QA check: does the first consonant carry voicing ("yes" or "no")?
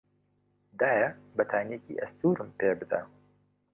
yes